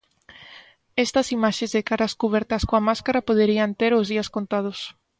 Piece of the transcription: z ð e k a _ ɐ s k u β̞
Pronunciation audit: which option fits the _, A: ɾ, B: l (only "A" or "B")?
A